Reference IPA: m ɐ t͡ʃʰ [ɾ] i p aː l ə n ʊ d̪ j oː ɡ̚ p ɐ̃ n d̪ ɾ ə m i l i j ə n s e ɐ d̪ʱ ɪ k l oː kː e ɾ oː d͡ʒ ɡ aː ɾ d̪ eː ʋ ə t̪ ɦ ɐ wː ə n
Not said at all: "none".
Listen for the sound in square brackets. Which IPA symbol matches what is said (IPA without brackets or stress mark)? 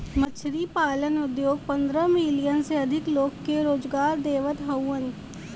ɾ